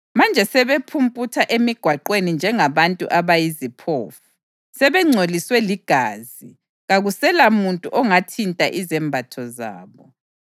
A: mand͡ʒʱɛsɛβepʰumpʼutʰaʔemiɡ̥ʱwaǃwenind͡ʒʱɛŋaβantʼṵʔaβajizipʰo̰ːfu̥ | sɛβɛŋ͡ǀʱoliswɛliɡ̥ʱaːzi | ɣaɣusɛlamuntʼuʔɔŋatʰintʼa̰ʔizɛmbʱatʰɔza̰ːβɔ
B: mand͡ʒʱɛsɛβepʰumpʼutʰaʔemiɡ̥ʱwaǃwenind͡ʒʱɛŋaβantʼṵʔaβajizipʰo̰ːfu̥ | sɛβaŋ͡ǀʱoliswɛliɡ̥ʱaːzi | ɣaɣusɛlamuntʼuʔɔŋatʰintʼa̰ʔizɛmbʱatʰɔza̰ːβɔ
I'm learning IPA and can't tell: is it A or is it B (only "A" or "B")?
A